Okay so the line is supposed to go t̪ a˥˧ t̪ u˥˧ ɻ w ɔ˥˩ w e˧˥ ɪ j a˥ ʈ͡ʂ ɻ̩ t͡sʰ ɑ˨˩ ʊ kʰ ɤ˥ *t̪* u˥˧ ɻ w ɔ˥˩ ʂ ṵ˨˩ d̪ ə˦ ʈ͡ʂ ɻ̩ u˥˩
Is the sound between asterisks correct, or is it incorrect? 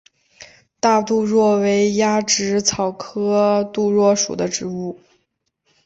correct